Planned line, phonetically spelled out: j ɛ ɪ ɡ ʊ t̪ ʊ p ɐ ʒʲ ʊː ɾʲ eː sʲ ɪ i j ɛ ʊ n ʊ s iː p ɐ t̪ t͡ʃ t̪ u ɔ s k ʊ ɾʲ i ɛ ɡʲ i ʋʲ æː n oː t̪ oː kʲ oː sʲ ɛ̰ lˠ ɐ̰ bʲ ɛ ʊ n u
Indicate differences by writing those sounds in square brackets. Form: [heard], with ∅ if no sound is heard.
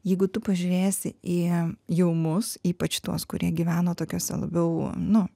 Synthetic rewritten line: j ɛ ɪ ɡ ʊ t̪ ʊ p ɐ ʒʲ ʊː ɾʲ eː sʲ ɪ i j ɛ ʊ [m] ʊ s iː p ɐ [∅] t͡ʃ t̪ u ɔ s k ʊ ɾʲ i ɛ ɡʲ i ʋʲ æː n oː t̪ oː kʲ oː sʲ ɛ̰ lˠ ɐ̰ bʲ ɛ ʊ n [ʊ]